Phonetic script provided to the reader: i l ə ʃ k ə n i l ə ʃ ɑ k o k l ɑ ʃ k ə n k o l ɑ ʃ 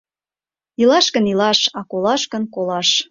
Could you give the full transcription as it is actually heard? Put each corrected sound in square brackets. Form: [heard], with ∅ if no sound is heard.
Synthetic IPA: i l [ɑ] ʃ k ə n i l [ɑ] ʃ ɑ k o [∅] l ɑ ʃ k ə n k o l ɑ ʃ